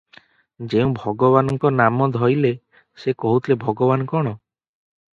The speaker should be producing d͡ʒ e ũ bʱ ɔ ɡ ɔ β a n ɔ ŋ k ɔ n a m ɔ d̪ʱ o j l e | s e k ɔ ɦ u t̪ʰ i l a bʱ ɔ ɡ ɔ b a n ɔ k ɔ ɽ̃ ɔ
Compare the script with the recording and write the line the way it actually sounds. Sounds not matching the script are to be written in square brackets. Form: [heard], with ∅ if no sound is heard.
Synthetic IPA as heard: d͡ʒ e ũ bʱ ɔ ɡ ɔ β a n ɔ ŋ k ɔ n a m ɔ d̪ʱ [ɔ] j l e | s e k ɔ ɦ u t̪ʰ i l [e] bʱ ɔ ɡ ɔ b a n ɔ k ɔ ɽ̃ ɔ